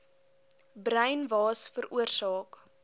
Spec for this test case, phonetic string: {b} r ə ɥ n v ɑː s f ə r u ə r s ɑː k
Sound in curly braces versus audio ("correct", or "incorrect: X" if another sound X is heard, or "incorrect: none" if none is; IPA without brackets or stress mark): correct